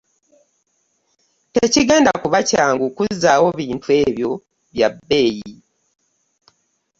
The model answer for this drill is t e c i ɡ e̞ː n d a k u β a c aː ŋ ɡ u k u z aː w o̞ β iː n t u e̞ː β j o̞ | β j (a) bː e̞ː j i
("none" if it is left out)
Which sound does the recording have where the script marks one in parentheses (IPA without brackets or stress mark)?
a